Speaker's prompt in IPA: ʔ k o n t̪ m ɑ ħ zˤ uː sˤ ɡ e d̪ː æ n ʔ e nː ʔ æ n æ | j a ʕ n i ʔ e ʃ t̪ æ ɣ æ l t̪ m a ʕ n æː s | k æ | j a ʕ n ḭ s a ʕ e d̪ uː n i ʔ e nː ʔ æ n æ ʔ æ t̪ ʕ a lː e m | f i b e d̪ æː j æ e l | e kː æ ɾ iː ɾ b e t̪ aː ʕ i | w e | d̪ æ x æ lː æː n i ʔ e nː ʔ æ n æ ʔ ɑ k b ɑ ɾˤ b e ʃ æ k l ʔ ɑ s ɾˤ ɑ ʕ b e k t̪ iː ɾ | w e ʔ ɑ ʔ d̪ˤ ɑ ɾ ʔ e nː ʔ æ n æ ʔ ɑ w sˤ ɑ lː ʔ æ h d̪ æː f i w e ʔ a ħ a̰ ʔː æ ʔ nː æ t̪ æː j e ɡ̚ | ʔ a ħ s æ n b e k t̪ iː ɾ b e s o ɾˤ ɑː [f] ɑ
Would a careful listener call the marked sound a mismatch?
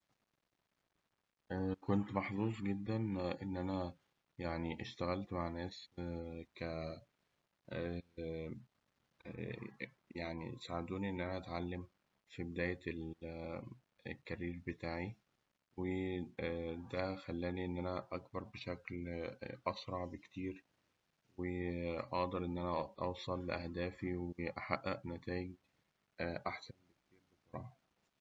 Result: yes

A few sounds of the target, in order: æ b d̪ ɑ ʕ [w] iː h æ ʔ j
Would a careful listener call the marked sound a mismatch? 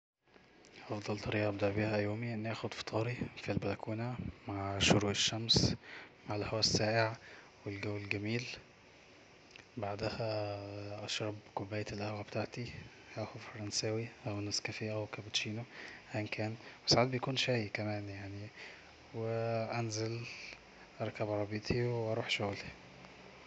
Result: yes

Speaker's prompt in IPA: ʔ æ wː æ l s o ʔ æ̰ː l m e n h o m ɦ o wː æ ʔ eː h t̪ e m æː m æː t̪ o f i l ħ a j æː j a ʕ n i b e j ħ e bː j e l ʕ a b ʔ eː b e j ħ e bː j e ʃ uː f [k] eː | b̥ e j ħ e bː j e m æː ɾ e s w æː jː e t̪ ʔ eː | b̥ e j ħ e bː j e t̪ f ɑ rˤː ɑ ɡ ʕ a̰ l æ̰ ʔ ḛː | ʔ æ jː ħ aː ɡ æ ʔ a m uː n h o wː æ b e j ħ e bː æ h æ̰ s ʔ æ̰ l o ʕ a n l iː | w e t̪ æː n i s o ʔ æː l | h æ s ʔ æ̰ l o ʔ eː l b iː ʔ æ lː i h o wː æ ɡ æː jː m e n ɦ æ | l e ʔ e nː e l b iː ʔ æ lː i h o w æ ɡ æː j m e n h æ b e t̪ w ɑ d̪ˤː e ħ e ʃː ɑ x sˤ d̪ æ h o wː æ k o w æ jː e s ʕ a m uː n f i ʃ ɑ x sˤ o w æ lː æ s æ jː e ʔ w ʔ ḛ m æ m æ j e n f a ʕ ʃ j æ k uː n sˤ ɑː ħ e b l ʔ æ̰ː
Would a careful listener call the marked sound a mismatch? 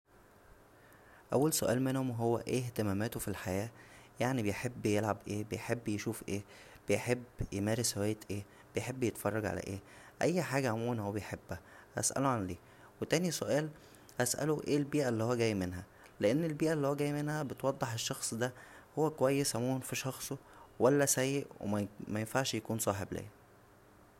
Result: yes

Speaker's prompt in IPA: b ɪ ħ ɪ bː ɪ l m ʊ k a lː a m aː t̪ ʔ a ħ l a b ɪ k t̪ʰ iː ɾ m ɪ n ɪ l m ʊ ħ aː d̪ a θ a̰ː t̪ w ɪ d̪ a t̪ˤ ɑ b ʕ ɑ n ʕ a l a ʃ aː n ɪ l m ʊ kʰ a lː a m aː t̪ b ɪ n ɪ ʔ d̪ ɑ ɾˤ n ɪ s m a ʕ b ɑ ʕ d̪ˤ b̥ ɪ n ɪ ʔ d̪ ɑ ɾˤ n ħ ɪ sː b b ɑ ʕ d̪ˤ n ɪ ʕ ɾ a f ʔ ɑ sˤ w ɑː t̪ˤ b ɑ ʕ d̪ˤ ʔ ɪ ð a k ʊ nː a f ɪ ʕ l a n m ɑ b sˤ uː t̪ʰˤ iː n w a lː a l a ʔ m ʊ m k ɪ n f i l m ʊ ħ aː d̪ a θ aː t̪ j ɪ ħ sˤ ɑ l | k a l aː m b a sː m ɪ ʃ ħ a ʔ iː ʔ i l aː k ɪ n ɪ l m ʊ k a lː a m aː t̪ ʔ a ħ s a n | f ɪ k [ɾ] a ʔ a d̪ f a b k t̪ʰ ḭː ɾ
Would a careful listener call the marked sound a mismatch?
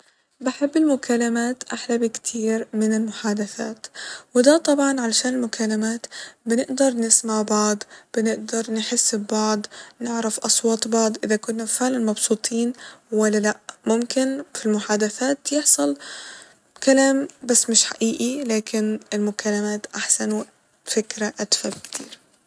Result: no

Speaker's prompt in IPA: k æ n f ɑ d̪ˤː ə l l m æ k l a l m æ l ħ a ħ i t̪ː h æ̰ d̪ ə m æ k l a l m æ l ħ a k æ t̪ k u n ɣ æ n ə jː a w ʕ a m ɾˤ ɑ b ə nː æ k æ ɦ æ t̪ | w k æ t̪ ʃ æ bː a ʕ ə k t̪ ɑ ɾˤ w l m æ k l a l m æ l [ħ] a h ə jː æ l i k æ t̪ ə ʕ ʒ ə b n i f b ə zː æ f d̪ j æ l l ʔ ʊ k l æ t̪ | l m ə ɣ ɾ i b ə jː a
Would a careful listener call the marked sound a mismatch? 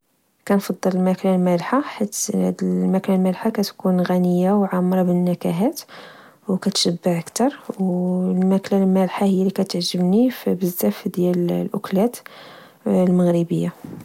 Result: no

